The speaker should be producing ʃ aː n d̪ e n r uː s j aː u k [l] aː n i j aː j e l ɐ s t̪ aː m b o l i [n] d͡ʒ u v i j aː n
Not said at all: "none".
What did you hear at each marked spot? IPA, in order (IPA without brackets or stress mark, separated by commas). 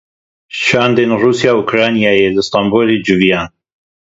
ɾ, none